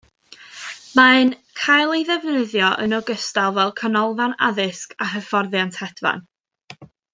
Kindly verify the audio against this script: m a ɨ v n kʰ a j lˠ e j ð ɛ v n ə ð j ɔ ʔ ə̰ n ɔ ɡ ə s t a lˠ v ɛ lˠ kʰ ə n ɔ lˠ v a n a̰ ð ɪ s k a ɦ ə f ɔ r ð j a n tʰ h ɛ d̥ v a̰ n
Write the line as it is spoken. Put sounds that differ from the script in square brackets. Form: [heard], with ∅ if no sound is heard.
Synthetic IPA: m a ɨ [∅] n kʰ a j lˠ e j ð ɛ v n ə ð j ɔ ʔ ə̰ n ɔ ɡ ə s t a lˠ v ɛ lˠ kʰ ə n ɔ lˠ v a n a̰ ð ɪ s k a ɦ ə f ɔ r ð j a n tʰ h ɛ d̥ v a̰ n